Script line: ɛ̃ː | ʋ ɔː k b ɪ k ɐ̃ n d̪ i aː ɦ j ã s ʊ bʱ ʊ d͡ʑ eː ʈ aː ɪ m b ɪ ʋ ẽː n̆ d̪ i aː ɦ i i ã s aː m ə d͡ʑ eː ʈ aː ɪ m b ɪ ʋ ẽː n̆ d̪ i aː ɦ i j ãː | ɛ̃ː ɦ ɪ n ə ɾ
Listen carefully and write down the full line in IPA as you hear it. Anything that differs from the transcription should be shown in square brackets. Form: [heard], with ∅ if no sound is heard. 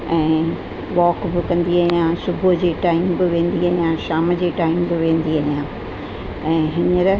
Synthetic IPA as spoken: ɛ̃ː | ʋ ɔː k b ɪ k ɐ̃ n d̪ i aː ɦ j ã s ʊ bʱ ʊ d͡ʑ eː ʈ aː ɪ m b ɪ ʋ ẽː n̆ d̪ i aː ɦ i [j] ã [ʃ] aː m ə d͡ʑ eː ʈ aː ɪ m b ɪ ʋ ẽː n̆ d̪ i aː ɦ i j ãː | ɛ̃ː ɦ ɪ n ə ɾ